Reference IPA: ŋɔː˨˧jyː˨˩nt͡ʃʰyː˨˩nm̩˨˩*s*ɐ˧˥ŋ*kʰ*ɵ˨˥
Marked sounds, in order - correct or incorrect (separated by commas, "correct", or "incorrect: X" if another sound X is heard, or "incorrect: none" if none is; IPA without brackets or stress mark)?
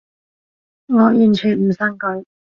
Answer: correct, incorrect: k